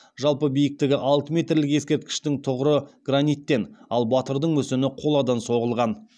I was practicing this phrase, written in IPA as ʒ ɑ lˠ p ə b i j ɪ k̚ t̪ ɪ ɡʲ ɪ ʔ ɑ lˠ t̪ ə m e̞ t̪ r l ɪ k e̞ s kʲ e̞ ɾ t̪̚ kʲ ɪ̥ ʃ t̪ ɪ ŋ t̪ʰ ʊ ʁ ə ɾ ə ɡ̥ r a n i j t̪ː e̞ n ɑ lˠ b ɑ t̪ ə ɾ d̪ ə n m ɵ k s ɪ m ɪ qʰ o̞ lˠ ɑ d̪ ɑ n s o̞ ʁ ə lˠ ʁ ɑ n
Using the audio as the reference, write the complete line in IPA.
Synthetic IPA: ʒ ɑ lˠ p ə b i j ɪ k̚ t̪ ɪ ɡʲ ɪ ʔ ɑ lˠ t̪ ə m e̞ t̪ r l ɪ k e̞ s kʲ e̞ ɾ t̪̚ kʲ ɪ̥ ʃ t̪ ɪ ŋ t̪ʰ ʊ ʁ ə ɾ ə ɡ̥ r a n i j t̪ː e̞ n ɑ lˠ b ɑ t̪ ə ɾ d̪ ə ɴ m ɵ s ɪ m ɪ qʰ o̞ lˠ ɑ d̪ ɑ n s o̞ ʁ ə lˠ ʁ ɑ n